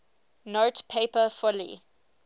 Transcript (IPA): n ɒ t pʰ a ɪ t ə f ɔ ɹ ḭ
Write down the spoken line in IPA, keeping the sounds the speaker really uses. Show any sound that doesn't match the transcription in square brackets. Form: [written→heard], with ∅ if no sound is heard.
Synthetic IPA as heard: n [ɒ→o] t pʰ [a→e] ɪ [t→p] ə f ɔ [ɹ→l] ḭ